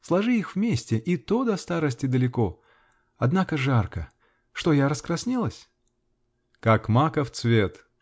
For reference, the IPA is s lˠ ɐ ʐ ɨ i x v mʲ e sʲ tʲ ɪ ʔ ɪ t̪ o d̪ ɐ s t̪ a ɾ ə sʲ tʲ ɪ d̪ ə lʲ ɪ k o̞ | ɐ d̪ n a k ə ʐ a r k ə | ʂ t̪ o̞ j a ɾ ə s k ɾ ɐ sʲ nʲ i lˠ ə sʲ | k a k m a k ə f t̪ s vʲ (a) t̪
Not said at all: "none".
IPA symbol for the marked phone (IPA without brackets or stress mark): e